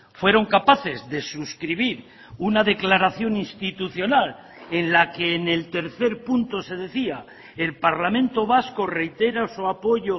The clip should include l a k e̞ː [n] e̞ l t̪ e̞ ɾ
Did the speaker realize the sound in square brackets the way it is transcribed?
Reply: yes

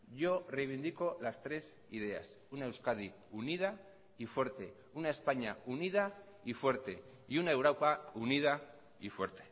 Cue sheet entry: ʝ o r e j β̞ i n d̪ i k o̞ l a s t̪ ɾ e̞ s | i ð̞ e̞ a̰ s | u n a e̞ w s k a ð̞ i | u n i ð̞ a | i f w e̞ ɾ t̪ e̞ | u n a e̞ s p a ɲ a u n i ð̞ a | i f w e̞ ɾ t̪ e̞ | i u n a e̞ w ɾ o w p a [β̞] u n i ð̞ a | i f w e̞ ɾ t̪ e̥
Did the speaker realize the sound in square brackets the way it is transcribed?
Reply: no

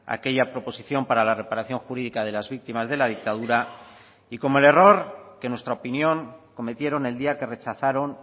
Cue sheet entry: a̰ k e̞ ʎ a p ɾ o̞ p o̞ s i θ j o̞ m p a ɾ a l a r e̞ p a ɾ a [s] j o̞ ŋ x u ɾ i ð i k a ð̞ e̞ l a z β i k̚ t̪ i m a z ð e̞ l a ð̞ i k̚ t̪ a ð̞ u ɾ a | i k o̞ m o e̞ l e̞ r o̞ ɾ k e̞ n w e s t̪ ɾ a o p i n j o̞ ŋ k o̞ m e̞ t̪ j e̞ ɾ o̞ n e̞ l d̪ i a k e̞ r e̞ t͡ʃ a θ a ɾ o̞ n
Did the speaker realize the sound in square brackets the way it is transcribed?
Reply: no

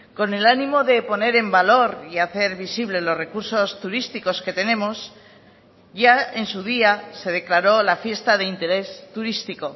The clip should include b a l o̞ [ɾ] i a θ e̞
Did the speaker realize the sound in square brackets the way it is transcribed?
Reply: yes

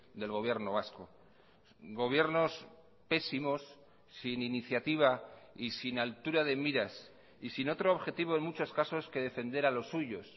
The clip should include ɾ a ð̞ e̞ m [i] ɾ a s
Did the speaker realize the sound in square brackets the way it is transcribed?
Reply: yes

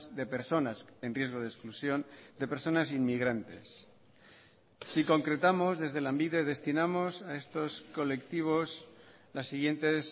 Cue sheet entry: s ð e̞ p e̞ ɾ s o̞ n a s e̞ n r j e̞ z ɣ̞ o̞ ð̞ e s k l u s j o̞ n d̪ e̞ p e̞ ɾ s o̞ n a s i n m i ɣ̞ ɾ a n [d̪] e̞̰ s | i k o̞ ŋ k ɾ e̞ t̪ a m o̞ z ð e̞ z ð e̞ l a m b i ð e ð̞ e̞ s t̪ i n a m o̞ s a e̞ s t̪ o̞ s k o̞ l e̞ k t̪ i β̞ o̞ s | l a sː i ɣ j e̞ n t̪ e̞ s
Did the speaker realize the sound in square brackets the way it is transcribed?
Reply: no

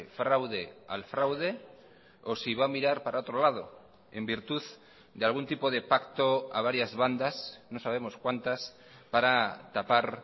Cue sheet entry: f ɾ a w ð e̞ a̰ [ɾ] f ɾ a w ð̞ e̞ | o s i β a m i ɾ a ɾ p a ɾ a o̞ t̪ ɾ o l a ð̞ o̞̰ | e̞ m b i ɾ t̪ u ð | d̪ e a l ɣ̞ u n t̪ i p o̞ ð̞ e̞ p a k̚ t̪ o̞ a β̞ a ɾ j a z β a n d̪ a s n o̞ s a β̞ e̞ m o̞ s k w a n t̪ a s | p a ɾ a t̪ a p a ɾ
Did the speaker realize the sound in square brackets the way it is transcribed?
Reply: no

